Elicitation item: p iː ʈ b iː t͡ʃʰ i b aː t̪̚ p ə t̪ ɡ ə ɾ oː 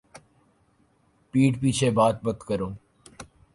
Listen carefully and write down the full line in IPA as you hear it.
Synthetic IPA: p iː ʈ p iː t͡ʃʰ e b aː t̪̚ b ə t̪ k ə ɾ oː